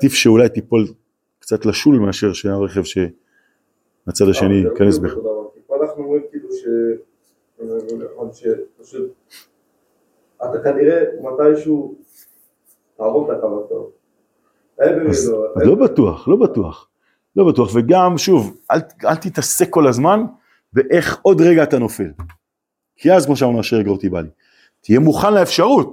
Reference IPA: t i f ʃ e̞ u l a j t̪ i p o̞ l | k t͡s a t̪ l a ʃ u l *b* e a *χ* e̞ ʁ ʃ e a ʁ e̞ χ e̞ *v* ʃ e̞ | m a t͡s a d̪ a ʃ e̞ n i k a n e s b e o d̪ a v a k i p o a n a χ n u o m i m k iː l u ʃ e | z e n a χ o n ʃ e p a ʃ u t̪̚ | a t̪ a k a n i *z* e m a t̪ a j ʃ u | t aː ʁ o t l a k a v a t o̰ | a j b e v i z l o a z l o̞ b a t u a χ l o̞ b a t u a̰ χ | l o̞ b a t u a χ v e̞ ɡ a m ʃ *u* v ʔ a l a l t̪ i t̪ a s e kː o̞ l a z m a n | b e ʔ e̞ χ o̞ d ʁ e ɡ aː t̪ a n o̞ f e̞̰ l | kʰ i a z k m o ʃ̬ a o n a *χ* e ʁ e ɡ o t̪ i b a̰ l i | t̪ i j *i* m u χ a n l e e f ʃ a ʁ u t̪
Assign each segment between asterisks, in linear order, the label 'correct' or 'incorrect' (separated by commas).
incorrect, incorrect, correct, incorrect, correct, incorrect, incorrect